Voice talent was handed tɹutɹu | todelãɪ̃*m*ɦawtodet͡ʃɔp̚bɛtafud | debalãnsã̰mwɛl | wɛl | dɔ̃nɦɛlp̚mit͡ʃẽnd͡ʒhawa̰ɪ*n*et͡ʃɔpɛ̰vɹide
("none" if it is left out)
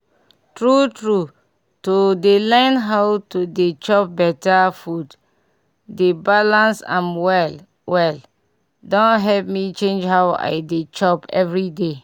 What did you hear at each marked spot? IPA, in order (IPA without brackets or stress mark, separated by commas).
n, d